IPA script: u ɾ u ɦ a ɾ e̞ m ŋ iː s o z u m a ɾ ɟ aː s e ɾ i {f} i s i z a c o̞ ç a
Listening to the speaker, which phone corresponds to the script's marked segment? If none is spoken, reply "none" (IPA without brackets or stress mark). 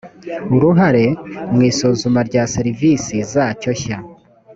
v